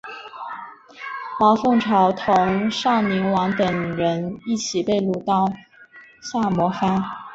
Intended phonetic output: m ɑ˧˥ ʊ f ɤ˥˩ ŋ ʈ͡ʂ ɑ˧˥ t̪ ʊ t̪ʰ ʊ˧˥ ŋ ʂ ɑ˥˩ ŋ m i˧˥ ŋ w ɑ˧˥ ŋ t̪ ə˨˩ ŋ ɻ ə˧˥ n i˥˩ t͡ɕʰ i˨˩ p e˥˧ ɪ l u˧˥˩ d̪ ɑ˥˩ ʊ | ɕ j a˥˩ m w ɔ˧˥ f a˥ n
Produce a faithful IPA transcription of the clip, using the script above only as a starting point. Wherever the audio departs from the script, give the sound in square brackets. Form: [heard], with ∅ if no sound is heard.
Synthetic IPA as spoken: m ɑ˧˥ ʊ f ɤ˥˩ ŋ [ʈ͡ʂʰ] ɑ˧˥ [∅] ʊ t̪ʰ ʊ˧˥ ŋ ʂ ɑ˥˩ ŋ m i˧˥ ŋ w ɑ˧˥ ŋ t̪ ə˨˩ ŋ ɻ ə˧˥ n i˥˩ t͡ɕʰ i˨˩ p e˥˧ ɪ l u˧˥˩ [t̪] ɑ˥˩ ʊ | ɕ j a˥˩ m w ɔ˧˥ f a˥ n